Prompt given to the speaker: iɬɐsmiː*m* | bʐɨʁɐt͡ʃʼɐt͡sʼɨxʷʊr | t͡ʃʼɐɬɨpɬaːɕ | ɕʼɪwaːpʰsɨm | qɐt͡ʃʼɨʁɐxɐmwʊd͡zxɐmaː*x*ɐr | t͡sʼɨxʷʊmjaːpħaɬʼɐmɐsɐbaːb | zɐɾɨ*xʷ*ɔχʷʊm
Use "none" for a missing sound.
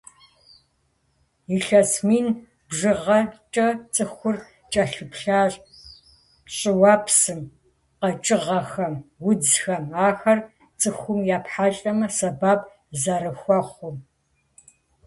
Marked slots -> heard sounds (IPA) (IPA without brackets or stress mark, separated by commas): n, x, xʷ